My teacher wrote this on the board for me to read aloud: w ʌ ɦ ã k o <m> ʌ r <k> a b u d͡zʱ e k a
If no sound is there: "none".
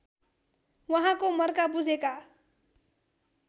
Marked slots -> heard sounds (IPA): m, k

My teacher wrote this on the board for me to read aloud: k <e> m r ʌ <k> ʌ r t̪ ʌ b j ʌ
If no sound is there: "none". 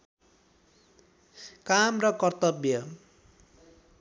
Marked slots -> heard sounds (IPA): a, k

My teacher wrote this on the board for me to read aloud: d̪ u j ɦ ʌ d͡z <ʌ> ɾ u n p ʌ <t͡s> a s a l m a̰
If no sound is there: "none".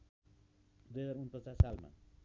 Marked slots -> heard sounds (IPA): a, t͡s

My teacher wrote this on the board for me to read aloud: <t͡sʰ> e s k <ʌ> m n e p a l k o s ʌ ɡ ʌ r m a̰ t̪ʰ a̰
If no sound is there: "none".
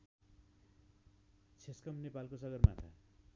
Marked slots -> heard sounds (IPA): t͡sʰ, ʌ

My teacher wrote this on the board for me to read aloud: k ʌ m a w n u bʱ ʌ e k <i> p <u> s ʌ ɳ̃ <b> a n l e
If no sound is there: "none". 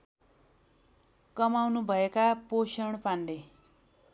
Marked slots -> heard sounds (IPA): a, o, p

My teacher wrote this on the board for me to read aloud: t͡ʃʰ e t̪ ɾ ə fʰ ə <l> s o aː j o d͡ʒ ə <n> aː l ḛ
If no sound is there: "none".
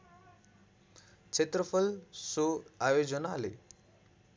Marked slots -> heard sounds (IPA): l, n

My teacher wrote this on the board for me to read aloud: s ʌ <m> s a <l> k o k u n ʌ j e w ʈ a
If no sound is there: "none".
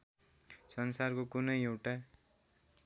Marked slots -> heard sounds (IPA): n, r

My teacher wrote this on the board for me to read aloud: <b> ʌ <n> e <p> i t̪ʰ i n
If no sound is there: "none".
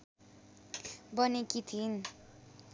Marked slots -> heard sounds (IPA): b, n, k

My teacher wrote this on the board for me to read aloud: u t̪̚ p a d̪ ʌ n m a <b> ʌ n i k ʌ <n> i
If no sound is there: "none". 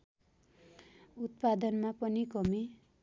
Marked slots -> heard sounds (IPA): p, m

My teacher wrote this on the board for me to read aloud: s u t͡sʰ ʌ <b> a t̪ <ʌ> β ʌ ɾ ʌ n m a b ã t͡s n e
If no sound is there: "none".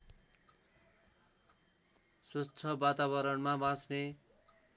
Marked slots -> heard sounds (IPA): b, a

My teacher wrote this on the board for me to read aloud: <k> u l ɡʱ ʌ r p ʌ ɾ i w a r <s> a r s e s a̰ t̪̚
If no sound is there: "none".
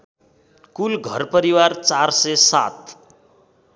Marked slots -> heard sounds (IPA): k, t͡s

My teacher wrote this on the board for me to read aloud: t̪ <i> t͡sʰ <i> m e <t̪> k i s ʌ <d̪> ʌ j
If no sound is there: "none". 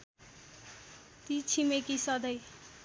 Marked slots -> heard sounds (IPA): i, i, none, d̪

